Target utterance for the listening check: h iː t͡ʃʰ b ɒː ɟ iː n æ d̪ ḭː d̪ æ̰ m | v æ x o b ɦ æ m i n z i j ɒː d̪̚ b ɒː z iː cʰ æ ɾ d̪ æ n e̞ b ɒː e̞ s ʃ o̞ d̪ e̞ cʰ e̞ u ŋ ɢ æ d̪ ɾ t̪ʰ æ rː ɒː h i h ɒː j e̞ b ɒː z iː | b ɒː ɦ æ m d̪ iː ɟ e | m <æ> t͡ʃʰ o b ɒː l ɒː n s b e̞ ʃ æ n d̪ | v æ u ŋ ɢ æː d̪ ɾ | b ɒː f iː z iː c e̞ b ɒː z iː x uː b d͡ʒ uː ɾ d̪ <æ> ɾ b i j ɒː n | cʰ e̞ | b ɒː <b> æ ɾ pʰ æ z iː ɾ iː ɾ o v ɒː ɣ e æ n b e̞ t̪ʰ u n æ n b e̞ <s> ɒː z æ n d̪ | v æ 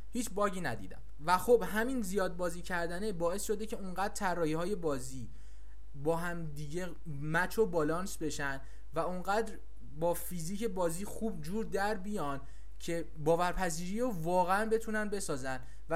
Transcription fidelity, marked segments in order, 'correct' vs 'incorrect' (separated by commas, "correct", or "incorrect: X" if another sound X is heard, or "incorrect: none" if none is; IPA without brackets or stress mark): correct, correct, incorrect: v, correct